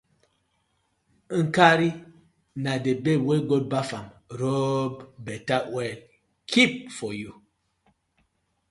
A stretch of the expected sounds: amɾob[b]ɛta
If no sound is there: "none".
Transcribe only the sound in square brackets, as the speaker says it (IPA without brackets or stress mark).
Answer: b